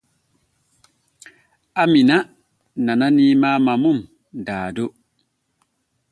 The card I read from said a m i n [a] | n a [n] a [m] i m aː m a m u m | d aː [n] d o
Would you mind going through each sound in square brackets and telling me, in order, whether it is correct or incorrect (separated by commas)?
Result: correct, correct, incorrect, incorrect